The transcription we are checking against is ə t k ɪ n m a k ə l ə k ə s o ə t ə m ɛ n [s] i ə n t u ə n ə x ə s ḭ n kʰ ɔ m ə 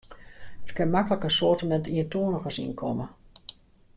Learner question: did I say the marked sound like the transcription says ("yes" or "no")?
no